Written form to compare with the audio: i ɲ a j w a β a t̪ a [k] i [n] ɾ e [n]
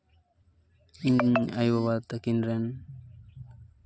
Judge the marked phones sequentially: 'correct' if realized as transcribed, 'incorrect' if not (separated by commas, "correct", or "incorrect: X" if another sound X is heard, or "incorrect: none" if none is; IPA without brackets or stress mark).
correct, correct, correct